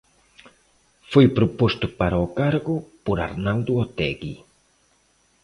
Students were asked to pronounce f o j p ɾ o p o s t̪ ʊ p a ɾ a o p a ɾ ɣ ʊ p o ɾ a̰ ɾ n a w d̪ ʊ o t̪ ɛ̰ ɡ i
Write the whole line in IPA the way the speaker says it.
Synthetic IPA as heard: f o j p ɾ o p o s t̪ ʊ p a ɾ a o k a ɾ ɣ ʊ p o ɾ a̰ ɾ n a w d̪ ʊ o t̪ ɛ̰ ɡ i